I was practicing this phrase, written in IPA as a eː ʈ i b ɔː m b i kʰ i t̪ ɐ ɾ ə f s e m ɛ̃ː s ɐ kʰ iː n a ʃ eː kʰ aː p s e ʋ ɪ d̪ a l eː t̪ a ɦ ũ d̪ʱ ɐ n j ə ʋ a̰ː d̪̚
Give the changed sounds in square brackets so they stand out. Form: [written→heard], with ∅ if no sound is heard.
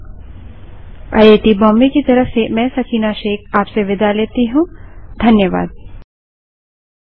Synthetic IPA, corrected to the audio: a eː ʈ i b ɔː m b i [kʰ→k] i t̪ ɐ ɾ ə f s e m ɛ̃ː s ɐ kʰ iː n a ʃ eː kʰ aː p s e ʋ ɪ d̪ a l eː t̪ [a→i] ɦ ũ d̪ʱ ɐ n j ə ʋ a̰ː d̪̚